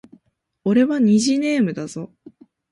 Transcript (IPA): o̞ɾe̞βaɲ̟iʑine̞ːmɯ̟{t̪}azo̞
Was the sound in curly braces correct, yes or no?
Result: no